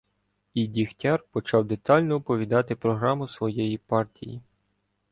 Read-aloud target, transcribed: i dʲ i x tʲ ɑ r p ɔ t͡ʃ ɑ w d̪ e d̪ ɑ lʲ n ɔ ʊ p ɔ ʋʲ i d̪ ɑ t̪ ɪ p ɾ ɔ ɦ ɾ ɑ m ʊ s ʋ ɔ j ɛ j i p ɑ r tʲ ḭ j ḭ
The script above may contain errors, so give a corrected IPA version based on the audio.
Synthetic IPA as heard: i dʲ i x tʲ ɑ r p ɔ t͡ʃ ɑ w d̪ e t̪ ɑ lʲ n ɔ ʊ p ɔ ʋʲ i d̪ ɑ t̪ ɪ p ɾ ɔ ɦ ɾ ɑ m ʊ s ʋ ɔ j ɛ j i p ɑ r tʲ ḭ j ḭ